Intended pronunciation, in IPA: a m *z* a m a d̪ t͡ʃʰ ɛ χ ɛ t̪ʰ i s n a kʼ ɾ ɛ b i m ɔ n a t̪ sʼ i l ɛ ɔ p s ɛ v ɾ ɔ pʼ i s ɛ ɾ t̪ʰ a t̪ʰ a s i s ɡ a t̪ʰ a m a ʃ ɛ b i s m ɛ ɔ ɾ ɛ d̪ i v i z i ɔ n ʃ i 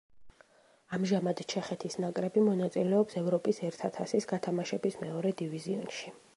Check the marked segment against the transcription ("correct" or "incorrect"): incorrect